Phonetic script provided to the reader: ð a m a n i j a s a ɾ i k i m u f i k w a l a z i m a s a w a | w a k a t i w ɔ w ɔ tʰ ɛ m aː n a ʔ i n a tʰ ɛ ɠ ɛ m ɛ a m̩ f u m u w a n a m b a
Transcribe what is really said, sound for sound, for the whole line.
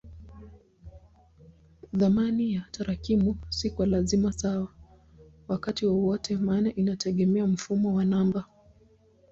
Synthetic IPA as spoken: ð a m a n i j a t a ɾ a k i m u s i k w a l a z i m a s a w a | w a k a t i w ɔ w ɔ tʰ ɛ m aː n a ʔ i n a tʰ ɛ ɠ ɛ m ɛ a m̩ f u m ɔ w a n a m b a